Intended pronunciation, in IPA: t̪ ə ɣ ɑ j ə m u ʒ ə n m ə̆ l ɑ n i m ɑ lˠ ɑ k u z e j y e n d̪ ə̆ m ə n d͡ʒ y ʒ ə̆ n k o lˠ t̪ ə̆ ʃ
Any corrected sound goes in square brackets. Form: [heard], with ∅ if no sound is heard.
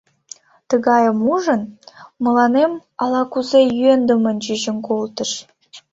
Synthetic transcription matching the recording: t̪ ə ɣ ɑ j ə m u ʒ ə n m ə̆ l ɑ n [e] m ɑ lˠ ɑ k u z e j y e n d̪ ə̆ m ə n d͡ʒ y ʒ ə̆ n k o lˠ t̪ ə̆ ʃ